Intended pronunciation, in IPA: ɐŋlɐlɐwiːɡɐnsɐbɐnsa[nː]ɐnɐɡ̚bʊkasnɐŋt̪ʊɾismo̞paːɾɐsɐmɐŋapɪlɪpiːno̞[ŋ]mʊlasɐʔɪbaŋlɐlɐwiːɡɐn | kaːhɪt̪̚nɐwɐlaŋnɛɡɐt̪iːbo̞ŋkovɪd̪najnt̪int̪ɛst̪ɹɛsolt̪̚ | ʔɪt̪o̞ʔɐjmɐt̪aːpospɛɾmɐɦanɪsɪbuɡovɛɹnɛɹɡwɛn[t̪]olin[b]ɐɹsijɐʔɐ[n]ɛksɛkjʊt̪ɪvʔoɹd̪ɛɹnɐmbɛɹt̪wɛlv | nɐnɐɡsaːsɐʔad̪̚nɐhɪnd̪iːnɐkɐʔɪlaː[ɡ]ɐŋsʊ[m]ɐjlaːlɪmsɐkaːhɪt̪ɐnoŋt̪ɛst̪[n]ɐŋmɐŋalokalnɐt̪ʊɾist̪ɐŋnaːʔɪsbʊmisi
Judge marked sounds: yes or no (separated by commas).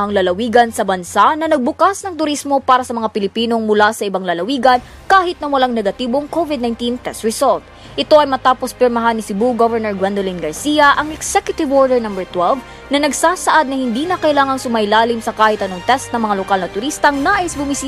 no, yes, no, no, no, no, yes, yes